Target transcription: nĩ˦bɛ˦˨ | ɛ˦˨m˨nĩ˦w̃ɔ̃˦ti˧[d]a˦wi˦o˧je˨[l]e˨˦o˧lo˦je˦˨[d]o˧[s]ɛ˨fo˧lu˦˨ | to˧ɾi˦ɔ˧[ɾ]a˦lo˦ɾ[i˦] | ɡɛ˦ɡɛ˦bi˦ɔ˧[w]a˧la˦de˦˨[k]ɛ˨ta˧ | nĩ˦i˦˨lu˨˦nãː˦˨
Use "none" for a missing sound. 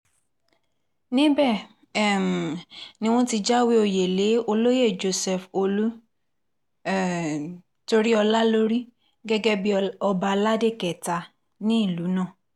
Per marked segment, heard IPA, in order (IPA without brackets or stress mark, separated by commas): d͡ʒ, l, d͡ʒ, s, l, i˦, b, k